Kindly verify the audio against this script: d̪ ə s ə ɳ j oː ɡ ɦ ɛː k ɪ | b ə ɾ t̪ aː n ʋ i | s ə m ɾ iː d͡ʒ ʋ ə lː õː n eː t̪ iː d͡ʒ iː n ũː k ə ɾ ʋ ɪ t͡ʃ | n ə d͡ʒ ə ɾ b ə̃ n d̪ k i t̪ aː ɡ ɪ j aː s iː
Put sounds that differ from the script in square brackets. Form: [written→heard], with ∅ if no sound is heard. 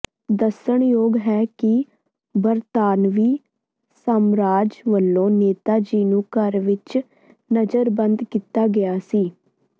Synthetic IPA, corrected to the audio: d̪ ə s ə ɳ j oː ɡ ɦ ɛː k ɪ | b ə ɾ t̪ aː n ʋ [i→iː] | s ə m ɾ [iː→aː] d͡ʒ ʋ ə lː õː n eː t̪ [iː→aː] d͡ʒ iː n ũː k ə ɾ ʋ ɪ t͡ʃ | n ə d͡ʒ ə ɾ b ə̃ n d̪ k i t̪ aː ɡ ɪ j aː s iː